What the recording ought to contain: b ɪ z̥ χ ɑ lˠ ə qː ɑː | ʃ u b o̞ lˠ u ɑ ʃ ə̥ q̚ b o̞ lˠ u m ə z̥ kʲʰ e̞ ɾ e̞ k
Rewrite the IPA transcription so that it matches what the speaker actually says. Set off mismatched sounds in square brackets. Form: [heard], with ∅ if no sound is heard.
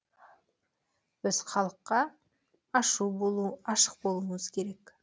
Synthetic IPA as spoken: b ɪ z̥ χ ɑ lˠ ə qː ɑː | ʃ u b o̞ lˠ u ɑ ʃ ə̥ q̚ b o̞ lˠ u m ə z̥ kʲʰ e̞ ɾ e̞ k

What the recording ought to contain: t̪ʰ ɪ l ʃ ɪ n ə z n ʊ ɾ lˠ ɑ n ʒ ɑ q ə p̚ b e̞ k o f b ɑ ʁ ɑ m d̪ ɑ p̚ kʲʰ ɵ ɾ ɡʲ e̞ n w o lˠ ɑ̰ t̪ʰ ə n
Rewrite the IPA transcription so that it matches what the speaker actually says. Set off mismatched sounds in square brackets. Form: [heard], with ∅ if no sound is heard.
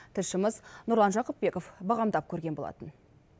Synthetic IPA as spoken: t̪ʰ ɪ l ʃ ɪ [m] ə z n ʊ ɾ lˠ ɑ n ʒ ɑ q ə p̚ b e̞ k o f b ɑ ʁ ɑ m d̪ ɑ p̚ kʲʰ ɵ ɾ ɡʲ e̞ n [b] o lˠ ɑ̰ [t̪] ə n

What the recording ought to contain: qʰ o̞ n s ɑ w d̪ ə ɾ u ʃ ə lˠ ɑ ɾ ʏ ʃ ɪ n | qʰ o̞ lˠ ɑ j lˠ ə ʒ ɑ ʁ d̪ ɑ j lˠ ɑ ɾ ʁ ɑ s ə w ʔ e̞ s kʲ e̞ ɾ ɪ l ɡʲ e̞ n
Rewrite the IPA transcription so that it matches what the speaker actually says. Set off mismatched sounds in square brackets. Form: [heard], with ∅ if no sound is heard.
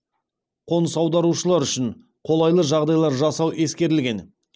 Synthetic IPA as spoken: qʰ o̞ n s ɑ w d̪ [ɑ] ɾ u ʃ ə lˠ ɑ ɾ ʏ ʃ ɪ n | qʰ o̞ lˠ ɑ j lˠ ə ʒ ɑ ʁ d̪ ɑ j lˠ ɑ ɾ [ʒ] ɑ s [ɑ] w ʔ e̞ s kʲ e̞ ɾ ɪ l ɡʲ e̞ n

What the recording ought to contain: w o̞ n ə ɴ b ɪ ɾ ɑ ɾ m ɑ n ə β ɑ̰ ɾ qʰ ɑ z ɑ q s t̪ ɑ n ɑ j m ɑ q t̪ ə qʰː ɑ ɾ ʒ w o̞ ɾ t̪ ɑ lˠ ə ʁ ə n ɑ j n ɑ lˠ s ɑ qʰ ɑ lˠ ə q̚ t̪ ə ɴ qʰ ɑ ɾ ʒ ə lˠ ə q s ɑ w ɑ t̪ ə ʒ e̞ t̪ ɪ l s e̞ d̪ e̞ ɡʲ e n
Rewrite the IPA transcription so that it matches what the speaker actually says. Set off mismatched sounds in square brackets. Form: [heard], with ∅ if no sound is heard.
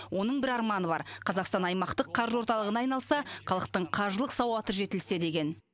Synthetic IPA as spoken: w o̞ n ə ɴ b ɪ ɾ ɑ ɾ m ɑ n ə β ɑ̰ ɾ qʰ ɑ z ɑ q s t̪ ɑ n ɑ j m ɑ q t̪ ə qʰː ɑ ɾ ʒ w o̞ ɾ t̪ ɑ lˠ ə ʁ ə n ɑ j n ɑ lˠ s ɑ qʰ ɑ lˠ ə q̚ t̪ ə ɴ qʰ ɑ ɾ ʒ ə lˠ ə q s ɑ w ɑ t̪ ə ʒ e̞ t̪ ɪ l s e̞ d̪ e̞ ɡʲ e n

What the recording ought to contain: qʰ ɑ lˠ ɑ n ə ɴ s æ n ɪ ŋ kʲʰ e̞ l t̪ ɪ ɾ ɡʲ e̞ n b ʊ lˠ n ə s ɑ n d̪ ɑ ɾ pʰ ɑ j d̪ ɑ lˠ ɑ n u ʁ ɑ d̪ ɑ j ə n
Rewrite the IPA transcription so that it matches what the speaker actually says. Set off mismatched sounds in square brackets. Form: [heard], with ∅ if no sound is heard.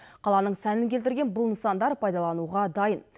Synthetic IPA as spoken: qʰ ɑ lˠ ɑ n ə ɴ s æ n ɪ ŋ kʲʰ e̞ l t̪ ɪ ɾ ɡʲ e̞ n b ʊ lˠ n ə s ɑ n d̪ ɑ ɾ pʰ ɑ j d̪ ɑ lˠ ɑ n u ʁ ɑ d̪ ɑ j ə n

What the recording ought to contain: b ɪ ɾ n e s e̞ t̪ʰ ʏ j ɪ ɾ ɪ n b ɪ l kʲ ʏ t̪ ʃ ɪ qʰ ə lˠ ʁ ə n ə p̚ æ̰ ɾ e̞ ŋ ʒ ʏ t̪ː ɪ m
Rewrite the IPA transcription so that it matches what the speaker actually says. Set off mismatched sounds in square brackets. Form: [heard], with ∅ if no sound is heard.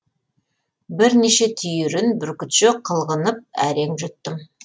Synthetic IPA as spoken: b ɪ ɾ n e [ʃ] e̞ t̪ʰ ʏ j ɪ ɾ ɪ n b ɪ [ɾ] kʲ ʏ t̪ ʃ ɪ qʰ ə lˠ ʁ ə n ə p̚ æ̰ ɾ e̞ ŋ ʒ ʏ t̪ː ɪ m

